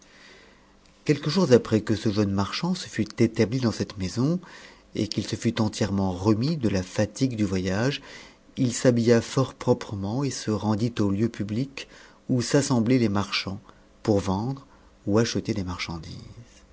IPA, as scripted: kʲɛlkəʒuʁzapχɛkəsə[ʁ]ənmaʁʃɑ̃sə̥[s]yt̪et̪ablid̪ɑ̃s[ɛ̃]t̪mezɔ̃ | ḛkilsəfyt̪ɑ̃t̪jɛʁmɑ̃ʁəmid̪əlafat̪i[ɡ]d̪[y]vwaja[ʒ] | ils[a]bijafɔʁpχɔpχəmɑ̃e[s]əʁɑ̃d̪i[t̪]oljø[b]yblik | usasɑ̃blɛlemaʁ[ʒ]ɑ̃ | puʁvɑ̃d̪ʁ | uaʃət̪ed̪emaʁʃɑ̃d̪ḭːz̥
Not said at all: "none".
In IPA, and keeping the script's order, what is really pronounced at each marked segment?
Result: ʒ, f, ɛ, ɡ, y, ʒ, a, s, t̪, p, ʃ

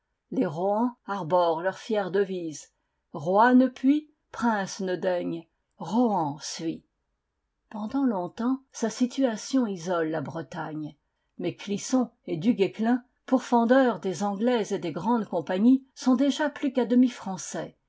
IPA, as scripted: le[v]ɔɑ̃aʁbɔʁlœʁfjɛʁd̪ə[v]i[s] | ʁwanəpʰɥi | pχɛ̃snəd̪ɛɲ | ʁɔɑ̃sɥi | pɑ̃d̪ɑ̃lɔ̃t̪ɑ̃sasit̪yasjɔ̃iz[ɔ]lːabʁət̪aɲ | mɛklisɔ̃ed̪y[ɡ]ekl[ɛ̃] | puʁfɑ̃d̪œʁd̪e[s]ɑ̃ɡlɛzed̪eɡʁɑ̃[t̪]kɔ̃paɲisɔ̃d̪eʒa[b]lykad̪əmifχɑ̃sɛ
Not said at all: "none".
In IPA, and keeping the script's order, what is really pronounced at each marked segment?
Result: ʁ, v, z, ɔ, ɡ, ɛ̃, z, d̪, p

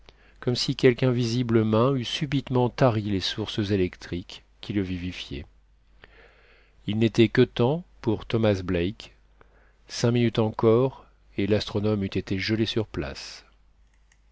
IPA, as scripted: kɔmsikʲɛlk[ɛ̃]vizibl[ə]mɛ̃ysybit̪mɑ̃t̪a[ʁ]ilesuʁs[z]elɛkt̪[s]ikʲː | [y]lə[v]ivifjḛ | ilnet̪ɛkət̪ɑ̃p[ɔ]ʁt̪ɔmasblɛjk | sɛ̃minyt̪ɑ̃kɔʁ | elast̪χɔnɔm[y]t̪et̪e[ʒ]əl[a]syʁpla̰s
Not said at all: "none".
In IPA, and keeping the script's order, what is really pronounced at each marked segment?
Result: ɛ̃, ə, ʁ, z, χ, i, v, u, y, ʒ, e

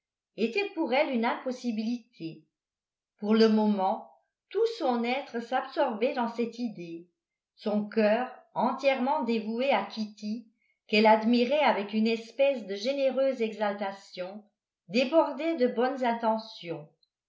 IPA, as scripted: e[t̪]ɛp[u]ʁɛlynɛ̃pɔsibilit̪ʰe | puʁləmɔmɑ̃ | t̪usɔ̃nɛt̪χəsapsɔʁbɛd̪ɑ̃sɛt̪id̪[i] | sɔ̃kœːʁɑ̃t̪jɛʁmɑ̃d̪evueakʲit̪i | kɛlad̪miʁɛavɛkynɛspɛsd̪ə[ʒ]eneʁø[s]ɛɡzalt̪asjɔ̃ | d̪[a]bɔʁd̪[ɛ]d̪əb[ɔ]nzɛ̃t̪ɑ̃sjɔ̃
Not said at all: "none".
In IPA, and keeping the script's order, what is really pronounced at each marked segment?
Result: t̪, u, e, ʒ, z, e, ɛ, ɔ

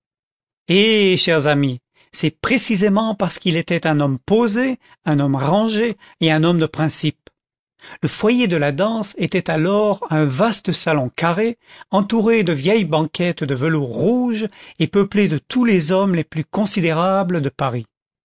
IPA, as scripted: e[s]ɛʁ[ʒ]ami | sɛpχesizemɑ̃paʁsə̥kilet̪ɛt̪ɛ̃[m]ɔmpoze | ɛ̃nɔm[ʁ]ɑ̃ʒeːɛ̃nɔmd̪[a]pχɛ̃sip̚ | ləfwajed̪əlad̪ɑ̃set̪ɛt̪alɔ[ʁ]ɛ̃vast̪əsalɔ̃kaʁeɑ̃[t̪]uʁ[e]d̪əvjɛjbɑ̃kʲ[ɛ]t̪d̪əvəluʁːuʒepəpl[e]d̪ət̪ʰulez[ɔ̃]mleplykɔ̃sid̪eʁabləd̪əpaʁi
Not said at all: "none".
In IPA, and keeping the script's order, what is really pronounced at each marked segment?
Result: ʃ, z, n, ʁ, ə, ʁ, t̪, e, ɛ, e, ɔ

